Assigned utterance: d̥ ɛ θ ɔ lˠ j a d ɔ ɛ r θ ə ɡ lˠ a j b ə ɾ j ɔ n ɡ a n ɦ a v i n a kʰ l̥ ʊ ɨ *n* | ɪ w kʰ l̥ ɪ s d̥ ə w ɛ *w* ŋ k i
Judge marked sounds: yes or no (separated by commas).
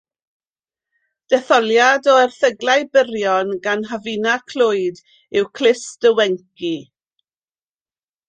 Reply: no, no